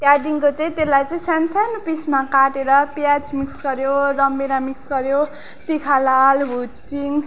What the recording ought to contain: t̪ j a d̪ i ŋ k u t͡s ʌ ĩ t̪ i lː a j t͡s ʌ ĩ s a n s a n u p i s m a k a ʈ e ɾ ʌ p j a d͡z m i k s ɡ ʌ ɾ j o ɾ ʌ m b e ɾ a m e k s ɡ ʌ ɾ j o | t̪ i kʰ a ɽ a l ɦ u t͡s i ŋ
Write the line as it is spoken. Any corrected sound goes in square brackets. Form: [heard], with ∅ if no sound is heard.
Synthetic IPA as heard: t̪ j a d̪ i ŋ k [o] t͡s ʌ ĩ t̪ [e] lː a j t͡s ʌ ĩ s a n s a n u p i s m a k a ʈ e ɾ ʌ p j a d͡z m i k s ɡ ʌ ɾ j o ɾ ʌ m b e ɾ a m [i] k s ɡ ʌ ɾ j o | t̪ i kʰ a [l] a l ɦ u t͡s i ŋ